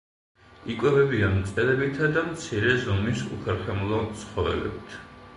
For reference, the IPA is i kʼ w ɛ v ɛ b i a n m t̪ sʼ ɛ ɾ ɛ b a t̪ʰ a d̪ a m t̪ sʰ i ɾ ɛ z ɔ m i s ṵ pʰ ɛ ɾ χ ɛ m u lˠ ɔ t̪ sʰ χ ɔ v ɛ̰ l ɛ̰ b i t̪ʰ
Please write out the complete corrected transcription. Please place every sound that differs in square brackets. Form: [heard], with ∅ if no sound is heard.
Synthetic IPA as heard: i kʼ w ɛ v ɛ b i a n m t̪ sʼ ɛ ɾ ɛ b [i] t̪ʰ a d̪ a m t̪ sʰ i ɾ ɛ z ɔ m i s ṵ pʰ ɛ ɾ χ ɛ m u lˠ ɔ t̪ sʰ χ ɔ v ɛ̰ l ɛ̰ b i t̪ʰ